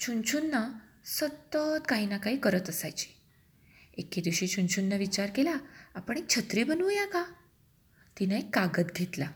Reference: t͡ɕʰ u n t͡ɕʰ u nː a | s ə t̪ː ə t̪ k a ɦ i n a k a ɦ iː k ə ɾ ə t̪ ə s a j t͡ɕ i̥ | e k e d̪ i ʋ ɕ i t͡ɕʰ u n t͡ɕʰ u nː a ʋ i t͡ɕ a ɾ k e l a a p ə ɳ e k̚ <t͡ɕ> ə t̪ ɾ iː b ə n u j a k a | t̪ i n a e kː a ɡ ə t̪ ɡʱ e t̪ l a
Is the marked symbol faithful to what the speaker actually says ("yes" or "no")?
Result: no